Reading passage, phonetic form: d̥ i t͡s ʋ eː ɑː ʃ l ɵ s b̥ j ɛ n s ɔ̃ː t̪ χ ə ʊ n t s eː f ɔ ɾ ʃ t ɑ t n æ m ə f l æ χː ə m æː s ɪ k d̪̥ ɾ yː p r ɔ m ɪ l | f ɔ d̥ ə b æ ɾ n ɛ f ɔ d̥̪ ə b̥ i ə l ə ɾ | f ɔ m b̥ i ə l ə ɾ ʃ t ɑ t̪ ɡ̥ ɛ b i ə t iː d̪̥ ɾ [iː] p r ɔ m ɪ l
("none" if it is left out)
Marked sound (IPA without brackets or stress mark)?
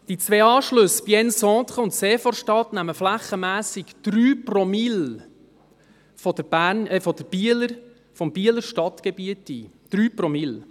yː